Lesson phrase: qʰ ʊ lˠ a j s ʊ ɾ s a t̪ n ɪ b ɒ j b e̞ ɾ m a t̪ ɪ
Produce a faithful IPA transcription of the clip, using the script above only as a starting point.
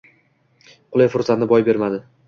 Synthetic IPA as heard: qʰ ʊ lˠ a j f ʊ ɾ s a t̪ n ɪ b ɒ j b e̞ ɾ m a d̪ ɪ